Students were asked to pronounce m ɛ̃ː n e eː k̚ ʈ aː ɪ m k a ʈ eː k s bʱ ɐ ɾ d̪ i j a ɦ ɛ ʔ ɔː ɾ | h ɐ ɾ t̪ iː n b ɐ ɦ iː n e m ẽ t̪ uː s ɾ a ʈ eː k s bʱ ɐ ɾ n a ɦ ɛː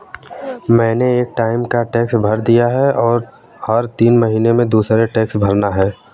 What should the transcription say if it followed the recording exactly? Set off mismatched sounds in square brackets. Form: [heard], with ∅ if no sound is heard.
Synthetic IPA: m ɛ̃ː n e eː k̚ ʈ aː ɪ m k a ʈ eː k s bʱ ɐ ɾ d̪ i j a ɦ ɛ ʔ ɔː ɾ | h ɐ ɾ t̪ iː n [m] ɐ ɦ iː n e m ẽ [d̪] uː s ɾ [e] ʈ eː k s bʱ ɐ ɾ n a ɦ ɛː

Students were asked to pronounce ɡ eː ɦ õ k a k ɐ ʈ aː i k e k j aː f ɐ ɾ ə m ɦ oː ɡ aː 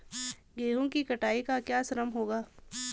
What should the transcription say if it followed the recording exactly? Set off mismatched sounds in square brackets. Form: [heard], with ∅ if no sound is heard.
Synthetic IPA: ɡ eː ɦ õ k [i] k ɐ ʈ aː i k [a] k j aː [s] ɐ ɾ ə m ɦ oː ɡ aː

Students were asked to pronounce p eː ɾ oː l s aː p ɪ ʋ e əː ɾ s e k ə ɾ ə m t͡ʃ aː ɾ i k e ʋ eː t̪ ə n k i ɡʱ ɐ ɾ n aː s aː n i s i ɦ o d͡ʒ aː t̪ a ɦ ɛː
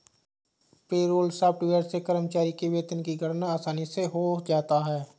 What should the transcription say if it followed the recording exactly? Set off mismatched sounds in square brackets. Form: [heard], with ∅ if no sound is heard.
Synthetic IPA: p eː ɾ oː l s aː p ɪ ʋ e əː ɾ s e k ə ɾ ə m t͡ʃ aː ɾ i k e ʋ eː t̪ ə n k i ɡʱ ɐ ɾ n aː s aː n i s [e] ɦ o d͡ʒ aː t̪ a ɦ ɛː

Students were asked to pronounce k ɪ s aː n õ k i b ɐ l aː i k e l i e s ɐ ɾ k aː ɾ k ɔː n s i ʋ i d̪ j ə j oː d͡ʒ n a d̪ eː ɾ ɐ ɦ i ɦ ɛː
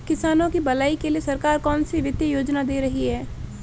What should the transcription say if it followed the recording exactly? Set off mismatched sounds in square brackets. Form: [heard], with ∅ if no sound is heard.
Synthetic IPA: k ɪ s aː n õ k i b ɐ l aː i k e l i e s ɐ ɾ k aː ɾ k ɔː n s i ʋ [ɪ] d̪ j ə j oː d͡ʒ n a d̪ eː ɾ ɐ ɦ i ɦ ɛː

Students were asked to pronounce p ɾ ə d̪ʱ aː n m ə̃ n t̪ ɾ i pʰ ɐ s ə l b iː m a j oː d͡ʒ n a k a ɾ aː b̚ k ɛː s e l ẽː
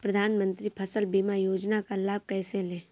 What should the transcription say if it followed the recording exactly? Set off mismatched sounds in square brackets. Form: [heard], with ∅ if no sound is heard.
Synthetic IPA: p ɾ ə d̪ʱ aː n m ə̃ n t̪ ɾ i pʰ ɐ s ə l b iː m a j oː d͡ʒ n a k a [l] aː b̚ k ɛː s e l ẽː

